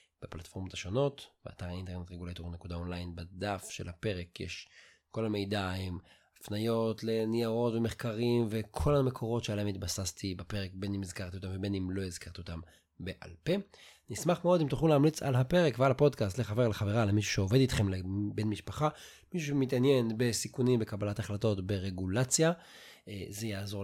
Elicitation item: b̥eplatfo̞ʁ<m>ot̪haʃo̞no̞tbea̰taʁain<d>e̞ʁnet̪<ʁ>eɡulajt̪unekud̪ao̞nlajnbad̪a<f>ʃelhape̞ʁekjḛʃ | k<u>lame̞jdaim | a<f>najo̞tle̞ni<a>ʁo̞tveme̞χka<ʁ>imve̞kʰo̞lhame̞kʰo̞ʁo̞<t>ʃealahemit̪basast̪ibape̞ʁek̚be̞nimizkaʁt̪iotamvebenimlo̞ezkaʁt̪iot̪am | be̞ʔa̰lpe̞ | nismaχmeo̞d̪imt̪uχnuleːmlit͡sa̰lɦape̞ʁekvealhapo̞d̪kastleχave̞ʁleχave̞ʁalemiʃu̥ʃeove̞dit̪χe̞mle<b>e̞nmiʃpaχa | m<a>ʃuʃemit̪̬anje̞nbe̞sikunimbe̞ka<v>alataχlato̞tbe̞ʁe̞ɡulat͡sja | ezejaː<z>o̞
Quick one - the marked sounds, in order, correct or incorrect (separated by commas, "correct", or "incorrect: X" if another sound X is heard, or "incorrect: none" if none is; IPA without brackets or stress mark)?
correct, incorrect: t, correct, correct, incorrect: o, correct, correct, correct, correct, correct, incorrect: i, incorrect: b, correct